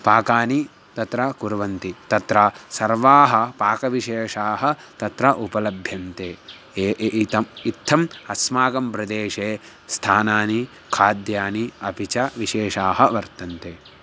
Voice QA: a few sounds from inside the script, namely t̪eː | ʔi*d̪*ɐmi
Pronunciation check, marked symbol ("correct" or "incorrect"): incorrect